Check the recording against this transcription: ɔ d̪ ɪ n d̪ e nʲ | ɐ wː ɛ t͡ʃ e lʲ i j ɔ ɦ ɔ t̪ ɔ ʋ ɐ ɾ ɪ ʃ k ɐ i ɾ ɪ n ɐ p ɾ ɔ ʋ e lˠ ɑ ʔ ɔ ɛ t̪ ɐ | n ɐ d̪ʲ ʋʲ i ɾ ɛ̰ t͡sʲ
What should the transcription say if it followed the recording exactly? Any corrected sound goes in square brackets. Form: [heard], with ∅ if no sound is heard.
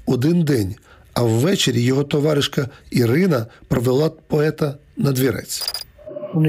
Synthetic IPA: ɔ d̪ ɪ n d̪ [ɛ] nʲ | ɐ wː ɛ t͡ʃ e [ɾʲ] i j ɔ ɦ ɔ t̪ ɔ ʋ [ɑ] ɾ ɪ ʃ k ɐ i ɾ ɪ n ɐ p ɾ ɔ ʋ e lˠ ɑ [p] ɔ ɛ t̪ ɐ | n ɐ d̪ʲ ʋʲ i ɾ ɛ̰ t͡sʲ